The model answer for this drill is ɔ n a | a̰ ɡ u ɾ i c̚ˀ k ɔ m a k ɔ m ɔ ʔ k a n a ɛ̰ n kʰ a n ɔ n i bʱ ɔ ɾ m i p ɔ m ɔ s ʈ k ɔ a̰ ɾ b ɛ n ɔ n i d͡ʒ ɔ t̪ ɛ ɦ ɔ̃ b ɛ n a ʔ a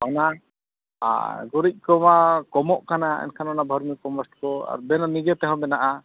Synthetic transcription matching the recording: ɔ n a | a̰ ɡ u ɾ i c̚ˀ k ɔ m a k ɔ m ɔ ʔ k a n a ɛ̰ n kʰ a n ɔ n a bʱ ɔ ɾ m i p ɔ m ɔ s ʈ k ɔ a̰ ɾ b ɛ n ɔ n i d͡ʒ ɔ t̪ ɛ ɦ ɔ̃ b ɛ n a ʔ a